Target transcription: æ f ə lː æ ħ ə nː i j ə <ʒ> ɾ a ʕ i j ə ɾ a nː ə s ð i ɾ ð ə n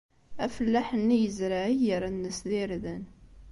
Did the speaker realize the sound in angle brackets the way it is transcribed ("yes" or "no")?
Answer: no